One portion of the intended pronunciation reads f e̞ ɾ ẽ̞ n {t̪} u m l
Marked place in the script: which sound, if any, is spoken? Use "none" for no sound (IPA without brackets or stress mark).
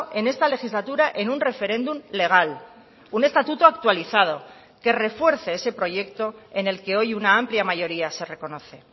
d̪